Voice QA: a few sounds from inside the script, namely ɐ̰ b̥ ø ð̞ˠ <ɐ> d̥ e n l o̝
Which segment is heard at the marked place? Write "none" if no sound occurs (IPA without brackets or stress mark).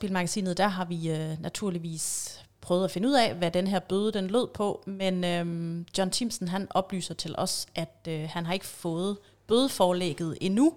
ə